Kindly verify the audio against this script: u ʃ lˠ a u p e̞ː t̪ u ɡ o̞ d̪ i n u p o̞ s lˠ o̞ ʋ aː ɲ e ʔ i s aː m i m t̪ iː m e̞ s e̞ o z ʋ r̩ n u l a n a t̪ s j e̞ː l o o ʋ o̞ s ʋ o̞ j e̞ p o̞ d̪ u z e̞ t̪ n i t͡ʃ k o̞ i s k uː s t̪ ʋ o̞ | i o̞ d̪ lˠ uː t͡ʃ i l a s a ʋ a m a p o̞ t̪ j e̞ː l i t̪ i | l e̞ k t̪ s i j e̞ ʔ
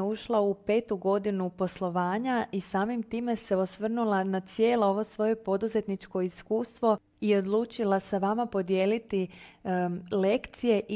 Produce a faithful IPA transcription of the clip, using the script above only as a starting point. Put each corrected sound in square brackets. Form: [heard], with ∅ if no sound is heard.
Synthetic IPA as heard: u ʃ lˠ a u p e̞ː t̪ u ɡ o̞ d̪ i n u p o̞ s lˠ o̞ ʋ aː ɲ [a] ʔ i s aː m i m t̪ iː m e̞ s e̞ o [s] ʋ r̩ n u l a n a t̪ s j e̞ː l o o ʋ o̞ s ʋ o̞ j e̞ p o̞ d̪ u z e̞ t̪ n i t͡ʃ k o̞ i s k uː s t̪ ʋ o̞ | i o̞ d̪ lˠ uː t͡ʃ i l a s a ʋ a m a p o̞ [d̪] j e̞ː l i t̪ i | l e̞ k t̪ s i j e̞ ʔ